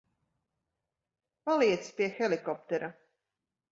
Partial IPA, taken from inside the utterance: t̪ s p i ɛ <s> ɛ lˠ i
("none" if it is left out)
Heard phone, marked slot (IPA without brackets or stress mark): x